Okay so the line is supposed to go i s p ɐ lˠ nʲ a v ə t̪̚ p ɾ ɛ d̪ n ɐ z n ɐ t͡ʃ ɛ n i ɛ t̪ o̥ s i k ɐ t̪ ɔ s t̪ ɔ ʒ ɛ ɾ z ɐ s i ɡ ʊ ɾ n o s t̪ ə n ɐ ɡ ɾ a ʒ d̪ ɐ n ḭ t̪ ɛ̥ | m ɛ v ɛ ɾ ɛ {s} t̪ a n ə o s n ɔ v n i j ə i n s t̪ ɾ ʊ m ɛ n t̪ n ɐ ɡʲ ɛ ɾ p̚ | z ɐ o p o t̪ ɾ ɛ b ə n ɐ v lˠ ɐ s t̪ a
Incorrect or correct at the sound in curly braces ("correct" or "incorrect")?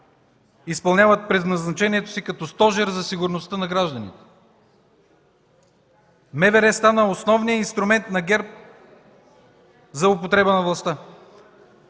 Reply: correct